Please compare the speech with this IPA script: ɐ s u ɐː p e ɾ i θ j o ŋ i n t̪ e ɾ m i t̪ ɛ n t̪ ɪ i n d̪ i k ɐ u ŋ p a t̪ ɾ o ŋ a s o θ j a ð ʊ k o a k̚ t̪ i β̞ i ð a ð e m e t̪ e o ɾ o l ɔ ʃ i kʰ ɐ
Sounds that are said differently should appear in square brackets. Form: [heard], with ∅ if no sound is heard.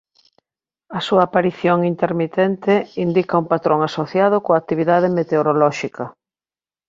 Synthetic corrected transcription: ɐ s u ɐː p [a] ɾ i θ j o ŋ i n t̪ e ɾ m i t̪ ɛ n t̪ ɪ i n d̪ i k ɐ u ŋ p a t̪ ɾ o ŋ a s o θ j a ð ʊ k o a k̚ t̪ i β̞ i ð a ð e m e t̪ e o ɾ o l ɔ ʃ i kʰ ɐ